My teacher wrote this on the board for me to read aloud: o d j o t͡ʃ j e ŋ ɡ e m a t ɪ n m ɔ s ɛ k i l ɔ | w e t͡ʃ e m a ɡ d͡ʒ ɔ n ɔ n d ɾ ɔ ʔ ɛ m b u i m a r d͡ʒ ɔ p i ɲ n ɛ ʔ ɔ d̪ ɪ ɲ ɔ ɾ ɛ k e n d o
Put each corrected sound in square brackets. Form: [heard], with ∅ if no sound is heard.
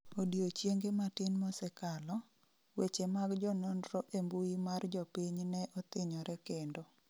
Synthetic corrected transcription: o d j o t͡ʃ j e ŋ ɡ e m a t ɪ n m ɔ s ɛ k [a] l ɔ | w e t͡ʃ e m a ɡ d͡ʒ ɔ n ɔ n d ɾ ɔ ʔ [e] m b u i m a r d͡ʒ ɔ p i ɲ n ɛ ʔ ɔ [t̪] ɪ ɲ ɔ ɾ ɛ k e n d o